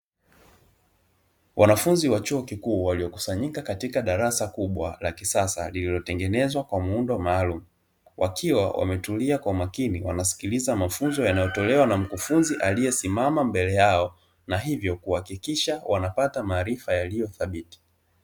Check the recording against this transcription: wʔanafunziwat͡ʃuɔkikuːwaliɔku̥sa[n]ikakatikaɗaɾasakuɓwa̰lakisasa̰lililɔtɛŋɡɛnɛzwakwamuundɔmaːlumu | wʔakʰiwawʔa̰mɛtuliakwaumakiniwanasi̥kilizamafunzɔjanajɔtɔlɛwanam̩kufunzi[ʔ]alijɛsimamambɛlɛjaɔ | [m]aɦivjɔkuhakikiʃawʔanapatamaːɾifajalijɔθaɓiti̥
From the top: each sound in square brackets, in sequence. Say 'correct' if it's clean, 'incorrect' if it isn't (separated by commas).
incorrect, correct, incorrect